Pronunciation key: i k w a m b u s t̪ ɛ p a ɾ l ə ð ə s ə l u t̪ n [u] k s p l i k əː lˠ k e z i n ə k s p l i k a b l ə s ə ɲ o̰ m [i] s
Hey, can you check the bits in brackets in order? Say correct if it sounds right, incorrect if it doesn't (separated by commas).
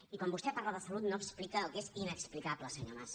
incorrect, incorrect